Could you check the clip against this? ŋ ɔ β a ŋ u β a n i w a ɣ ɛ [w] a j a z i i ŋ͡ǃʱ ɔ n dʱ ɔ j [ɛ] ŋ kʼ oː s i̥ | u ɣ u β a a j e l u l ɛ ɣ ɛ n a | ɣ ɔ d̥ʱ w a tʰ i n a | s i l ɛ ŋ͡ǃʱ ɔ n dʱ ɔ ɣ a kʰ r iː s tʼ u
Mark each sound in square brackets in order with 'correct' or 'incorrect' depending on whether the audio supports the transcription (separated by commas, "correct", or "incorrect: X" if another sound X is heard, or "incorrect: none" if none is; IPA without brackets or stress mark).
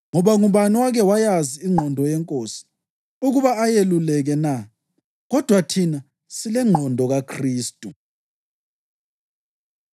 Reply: correct, correct